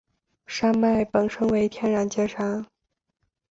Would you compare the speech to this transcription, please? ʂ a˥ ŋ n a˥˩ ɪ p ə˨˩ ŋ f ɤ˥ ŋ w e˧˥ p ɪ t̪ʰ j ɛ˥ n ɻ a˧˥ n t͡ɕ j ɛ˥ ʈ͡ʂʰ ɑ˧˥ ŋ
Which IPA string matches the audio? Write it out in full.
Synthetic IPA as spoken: ʂ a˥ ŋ m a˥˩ ɪ p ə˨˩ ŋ ʂ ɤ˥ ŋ w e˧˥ ɪ t̪ʰ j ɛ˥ n ɻ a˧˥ n t͡ɕ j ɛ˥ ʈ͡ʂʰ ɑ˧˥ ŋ